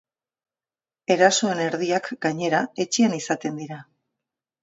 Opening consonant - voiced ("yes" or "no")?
yes